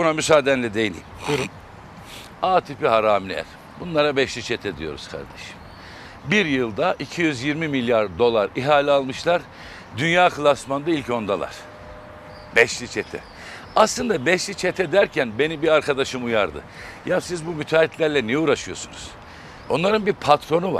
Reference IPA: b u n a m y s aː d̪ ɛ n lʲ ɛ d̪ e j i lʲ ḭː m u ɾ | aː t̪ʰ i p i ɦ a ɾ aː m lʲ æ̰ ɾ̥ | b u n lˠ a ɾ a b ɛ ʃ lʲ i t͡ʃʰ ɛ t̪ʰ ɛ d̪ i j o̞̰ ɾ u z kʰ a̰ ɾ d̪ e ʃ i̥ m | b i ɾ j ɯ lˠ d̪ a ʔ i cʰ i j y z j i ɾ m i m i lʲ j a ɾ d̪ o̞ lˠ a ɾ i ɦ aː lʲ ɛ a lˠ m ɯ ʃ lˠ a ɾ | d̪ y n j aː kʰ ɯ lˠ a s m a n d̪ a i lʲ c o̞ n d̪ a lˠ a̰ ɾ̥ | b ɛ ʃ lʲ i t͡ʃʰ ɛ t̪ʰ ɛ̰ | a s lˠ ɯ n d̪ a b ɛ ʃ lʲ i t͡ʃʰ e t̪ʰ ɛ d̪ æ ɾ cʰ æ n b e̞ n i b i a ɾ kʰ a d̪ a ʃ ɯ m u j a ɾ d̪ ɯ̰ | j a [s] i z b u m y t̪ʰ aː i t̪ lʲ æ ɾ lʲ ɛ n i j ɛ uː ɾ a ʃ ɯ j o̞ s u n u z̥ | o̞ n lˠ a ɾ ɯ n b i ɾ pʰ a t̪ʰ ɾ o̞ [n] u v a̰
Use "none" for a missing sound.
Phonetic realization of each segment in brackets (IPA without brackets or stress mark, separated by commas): s, n